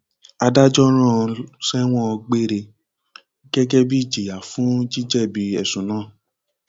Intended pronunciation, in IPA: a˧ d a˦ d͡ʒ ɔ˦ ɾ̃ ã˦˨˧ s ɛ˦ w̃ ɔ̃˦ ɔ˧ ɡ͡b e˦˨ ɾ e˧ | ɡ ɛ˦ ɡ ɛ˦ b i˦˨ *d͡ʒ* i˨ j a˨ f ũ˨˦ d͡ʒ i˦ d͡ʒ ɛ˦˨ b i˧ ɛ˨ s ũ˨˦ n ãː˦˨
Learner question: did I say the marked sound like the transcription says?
yes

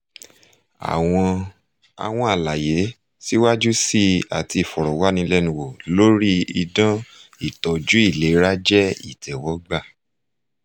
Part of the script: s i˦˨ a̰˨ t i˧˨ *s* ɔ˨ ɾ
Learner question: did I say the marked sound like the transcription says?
no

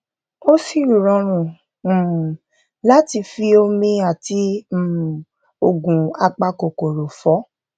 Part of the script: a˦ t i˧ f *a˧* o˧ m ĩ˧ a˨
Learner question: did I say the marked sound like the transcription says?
no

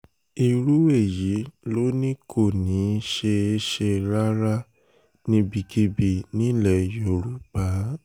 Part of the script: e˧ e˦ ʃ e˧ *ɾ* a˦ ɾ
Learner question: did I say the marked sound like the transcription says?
yes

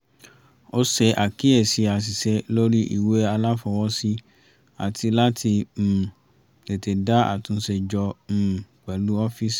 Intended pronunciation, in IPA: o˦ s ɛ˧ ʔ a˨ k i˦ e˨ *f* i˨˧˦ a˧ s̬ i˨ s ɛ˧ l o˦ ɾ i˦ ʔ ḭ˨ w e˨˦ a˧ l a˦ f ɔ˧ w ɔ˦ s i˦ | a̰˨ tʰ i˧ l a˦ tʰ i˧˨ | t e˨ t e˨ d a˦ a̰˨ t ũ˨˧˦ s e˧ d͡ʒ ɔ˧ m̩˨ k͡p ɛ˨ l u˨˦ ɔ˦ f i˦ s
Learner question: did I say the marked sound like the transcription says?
no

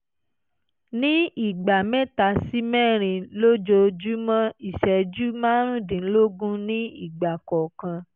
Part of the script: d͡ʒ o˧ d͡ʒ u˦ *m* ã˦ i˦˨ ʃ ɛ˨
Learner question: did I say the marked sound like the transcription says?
yes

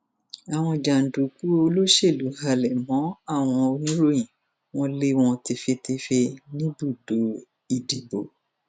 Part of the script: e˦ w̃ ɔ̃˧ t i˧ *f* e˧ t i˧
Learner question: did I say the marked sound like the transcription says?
yes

